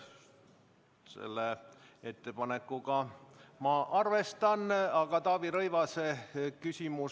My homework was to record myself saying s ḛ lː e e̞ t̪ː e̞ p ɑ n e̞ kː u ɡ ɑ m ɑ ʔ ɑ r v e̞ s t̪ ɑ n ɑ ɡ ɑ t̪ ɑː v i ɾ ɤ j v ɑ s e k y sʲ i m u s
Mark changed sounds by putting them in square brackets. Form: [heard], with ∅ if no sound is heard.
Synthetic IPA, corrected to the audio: s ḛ lː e e̞ t̪ː e̞ p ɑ n e̞ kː u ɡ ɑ m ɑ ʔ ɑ r v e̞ s t̪ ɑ n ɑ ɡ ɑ t̪ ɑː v i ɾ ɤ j v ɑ s e k y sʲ i m u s